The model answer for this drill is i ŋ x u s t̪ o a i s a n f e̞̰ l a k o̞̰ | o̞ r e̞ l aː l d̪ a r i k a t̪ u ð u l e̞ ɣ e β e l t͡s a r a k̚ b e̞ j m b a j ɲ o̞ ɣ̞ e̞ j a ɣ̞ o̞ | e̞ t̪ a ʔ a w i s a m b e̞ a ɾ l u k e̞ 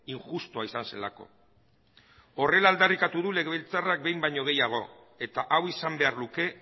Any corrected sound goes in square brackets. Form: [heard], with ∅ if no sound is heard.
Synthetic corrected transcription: i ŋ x u s t̪ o a i s a n [s] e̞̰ l a k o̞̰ | o̞ r e̞ l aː l d̪ a r i k a t̪ u ð u l e̞ ɣ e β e l t͡s a r a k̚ b e̞ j m b a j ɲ o̞ ɣ̞ e̞ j a ɣ̞ o̞ | e̞ t̪ a ʔ a w i s a m b e̞ a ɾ l u k e̞